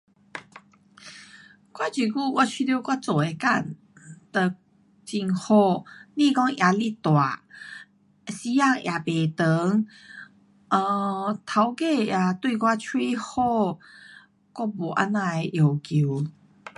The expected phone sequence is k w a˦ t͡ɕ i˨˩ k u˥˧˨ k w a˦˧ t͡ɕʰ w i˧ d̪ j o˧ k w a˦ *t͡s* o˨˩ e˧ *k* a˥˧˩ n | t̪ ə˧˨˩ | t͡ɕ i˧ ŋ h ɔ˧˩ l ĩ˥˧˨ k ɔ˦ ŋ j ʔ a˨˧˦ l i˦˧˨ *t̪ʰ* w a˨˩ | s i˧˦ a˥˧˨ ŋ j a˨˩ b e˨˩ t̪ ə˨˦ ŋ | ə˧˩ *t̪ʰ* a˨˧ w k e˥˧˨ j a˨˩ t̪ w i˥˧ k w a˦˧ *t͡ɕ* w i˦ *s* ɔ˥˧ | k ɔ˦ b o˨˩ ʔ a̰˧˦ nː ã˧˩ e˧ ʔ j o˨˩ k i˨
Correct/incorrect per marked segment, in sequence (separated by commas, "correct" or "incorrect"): correct, correct, incorrect, correct, incorrect, incorrect